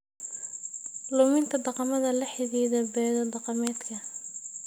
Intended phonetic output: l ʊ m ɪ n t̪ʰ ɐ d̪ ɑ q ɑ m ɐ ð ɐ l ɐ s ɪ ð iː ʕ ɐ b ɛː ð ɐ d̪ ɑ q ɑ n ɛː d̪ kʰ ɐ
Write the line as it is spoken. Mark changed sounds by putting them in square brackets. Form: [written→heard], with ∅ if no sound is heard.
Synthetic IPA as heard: l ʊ m ɪ n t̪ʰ ɐ d̪ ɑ q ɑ m ɐ ð ɐ l ɐ [s→ħ] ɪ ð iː [ʕ→ð] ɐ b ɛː ð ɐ d̪ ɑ q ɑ [n→m] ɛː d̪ kʰ ɐ